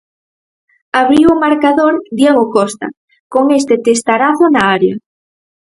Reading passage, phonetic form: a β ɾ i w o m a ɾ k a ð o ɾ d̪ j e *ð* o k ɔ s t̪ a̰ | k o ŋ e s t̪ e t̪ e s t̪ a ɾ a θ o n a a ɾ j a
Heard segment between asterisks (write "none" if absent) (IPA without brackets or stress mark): ɣ